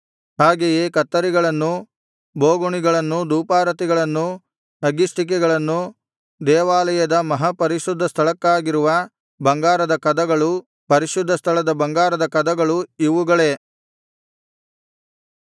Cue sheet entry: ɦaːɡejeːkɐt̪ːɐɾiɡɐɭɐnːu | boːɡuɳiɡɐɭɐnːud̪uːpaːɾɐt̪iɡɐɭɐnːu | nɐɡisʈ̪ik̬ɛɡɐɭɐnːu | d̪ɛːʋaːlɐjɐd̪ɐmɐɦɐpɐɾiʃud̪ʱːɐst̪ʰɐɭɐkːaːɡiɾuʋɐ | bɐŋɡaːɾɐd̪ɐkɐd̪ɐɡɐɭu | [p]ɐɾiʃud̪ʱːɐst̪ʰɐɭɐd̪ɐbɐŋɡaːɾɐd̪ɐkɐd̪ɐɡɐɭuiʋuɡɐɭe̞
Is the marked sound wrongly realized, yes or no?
no